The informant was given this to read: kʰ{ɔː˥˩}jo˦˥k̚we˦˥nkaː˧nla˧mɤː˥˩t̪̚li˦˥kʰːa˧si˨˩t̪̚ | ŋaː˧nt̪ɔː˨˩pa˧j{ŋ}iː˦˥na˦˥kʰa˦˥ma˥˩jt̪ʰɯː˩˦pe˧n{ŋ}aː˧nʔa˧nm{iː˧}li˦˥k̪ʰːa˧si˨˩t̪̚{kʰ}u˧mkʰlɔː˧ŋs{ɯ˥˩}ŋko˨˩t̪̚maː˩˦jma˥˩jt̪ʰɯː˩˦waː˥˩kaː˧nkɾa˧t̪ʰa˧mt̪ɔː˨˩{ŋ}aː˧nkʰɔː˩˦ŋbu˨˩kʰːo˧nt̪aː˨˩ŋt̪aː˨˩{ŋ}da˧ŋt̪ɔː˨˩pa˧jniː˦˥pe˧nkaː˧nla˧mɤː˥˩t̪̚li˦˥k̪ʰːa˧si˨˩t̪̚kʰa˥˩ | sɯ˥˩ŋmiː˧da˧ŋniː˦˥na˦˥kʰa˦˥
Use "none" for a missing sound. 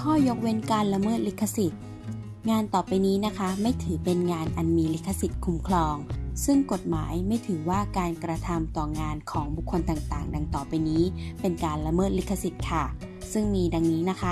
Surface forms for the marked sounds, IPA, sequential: ɔː˥˩, n, ŋ, iː˧, kʰ, ɯ˥˩, ŋ, ŋ

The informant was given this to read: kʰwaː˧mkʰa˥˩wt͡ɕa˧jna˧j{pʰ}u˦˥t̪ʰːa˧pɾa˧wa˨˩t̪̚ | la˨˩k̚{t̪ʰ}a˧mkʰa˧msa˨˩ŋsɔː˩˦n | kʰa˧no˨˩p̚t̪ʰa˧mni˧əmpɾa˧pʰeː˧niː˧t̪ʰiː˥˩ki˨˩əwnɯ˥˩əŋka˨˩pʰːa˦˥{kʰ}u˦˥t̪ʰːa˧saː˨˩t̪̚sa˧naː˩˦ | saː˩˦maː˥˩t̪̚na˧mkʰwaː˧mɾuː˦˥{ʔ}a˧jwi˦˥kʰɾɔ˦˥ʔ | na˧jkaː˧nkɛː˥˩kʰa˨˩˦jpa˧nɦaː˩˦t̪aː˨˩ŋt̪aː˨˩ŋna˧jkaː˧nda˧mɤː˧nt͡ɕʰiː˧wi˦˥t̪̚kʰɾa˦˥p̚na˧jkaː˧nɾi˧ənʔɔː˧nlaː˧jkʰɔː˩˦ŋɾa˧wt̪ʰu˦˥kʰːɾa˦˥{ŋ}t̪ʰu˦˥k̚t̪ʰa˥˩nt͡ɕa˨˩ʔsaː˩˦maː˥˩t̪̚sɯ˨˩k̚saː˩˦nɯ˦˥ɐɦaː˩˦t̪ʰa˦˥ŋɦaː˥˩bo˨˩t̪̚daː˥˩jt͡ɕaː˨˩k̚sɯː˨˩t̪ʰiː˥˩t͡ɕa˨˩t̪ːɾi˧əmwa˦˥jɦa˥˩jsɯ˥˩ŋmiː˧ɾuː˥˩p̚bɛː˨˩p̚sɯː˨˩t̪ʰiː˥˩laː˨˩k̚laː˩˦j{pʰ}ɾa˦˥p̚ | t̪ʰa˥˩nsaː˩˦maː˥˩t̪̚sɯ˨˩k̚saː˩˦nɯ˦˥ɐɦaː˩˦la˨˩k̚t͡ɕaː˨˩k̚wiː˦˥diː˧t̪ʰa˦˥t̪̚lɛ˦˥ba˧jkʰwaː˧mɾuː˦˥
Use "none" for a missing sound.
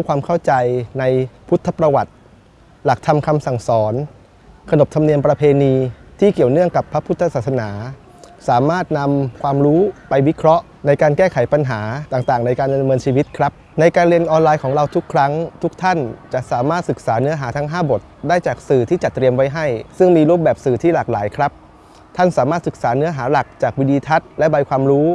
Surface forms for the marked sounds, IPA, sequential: pʰ, t̪ʰ, pʰ, p, ŋ, kʰ

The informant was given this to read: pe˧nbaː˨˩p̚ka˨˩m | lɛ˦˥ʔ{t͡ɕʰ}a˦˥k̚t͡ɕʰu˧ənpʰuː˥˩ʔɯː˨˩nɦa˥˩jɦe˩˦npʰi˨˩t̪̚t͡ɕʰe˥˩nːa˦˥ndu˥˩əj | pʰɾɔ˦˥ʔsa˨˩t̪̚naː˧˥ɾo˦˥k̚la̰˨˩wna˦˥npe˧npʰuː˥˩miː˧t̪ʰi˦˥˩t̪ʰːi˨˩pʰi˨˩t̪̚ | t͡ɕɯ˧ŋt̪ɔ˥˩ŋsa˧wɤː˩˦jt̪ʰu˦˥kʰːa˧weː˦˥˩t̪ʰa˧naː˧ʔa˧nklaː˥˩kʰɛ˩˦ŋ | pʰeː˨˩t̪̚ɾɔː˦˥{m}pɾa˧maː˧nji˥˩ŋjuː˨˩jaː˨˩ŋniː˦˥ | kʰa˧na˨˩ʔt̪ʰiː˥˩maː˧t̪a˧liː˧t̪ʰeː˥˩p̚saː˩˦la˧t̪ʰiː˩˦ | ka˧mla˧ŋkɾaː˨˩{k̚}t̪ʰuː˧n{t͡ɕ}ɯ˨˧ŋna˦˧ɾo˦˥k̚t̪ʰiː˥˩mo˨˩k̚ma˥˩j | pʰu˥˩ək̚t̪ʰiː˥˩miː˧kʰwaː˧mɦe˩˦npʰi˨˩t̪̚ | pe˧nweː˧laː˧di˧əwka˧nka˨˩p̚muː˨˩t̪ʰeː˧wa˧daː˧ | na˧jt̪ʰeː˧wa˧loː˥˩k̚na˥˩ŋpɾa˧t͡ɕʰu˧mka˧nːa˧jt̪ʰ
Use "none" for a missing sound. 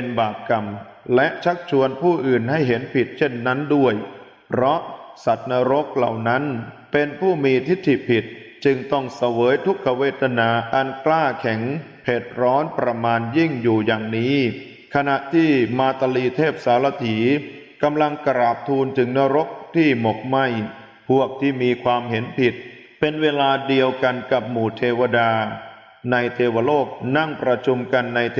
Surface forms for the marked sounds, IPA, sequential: t͡ɕʰ, n, p̚, t͡ɕ

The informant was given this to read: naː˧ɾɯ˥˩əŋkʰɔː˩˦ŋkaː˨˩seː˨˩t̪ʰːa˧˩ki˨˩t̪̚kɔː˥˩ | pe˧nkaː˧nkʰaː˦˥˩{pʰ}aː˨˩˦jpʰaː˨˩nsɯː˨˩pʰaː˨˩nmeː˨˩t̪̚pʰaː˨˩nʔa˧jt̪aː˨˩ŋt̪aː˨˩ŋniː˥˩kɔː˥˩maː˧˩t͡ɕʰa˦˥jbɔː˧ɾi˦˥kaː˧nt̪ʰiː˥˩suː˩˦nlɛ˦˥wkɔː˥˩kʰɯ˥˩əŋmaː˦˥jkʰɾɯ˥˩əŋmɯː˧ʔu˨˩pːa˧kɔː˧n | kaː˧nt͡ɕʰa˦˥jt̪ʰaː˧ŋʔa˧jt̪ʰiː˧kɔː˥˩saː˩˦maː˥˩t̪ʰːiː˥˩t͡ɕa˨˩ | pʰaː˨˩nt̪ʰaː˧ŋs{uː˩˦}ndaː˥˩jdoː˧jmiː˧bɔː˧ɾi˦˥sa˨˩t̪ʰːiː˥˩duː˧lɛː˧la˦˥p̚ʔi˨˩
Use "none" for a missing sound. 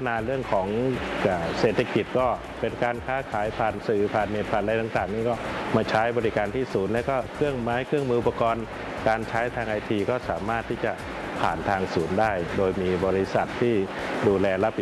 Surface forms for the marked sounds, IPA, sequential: kʰ, uː˩˦

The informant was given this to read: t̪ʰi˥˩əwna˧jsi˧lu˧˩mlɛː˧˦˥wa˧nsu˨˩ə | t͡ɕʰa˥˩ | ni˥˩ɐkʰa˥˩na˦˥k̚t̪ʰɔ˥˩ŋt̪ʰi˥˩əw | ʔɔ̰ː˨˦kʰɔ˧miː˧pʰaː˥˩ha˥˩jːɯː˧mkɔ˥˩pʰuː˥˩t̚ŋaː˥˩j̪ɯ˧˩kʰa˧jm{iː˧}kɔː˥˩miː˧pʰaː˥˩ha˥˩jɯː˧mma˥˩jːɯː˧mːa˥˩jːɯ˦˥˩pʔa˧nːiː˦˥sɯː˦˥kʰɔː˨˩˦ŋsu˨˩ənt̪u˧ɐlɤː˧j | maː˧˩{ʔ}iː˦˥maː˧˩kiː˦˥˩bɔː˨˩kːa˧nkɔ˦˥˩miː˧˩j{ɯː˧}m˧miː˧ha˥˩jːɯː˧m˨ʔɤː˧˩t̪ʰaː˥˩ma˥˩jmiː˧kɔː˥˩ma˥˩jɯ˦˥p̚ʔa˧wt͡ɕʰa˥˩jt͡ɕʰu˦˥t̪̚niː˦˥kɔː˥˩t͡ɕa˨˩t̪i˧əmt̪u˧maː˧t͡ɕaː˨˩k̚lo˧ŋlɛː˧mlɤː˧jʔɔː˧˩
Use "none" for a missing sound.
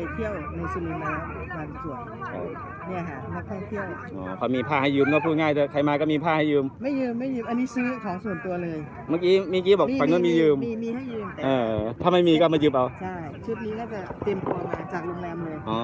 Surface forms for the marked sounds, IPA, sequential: aː˧, k, ɯː˧

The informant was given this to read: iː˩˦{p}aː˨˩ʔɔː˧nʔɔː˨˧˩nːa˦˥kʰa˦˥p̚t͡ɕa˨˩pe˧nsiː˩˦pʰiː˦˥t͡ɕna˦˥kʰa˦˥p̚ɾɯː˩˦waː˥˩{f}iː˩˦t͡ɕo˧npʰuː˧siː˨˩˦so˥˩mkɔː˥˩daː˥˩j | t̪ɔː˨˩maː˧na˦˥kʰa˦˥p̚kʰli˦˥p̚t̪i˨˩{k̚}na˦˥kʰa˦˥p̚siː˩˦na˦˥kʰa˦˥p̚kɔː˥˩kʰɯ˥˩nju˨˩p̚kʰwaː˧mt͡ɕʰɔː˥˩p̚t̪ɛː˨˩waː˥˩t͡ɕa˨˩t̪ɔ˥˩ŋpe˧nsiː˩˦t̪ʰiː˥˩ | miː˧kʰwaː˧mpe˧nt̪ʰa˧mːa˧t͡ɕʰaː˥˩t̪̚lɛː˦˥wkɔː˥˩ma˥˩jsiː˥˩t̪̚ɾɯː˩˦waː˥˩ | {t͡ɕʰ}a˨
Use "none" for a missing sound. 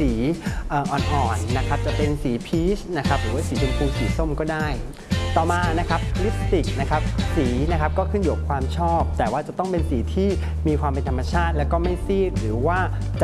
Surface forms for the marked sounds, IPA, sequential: ʔ, s, k̚, t͡ɕ

